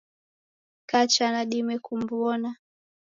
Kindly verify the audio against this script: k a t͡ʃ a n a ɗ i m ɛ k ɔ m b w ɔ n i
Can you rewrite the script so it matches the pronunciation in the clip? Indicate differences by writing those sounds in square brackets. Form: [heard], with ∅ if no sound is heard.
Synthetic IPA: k a t͡ʃ a n a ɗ i m ɛ k [u] m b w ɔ n [a]